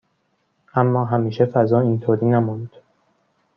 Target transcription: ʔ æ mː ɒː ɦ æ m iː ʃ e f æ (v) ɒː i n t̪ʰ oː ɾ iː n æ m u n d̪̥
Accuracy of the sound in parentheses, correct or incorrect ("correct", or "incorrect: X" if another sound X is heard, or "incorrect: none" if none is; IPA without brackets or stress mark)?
incorrect: z